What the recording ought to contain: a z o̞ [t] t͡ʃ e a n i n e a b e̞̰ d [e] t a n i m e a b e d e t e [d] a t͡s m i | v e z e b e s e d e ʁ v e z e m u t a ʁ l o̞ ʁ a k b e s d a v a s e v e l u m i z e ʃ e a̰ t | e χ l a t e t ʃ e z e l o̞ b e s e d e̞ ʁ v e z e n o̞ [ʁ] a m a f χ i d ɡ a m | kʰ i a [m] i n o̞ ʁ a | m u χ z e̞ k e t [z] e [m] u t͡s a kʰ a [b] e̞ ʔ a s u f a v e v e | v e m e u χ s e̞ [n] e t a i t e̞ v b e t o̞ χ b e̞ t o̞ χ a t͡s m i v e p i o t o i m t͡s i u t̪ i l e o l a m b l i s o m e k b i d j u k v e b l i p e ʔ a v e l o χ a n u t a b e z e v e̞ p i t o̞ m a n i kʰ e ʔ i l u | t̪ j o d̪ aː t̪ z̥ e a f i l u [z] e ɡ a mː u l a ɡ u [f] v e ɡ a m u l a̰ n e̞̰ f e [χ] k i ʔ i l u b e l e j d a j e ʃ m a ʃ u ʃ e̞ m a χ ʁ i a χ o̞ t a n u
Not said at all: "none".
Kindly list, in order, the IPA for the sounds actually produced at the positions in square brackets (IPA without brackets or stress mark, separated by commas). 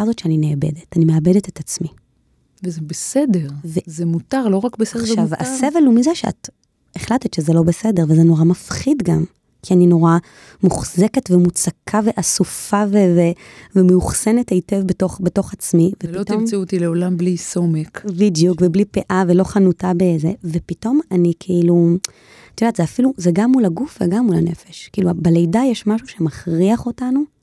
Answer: t, e, t, ʁ, n, v, m, v, n, z, f, ʃ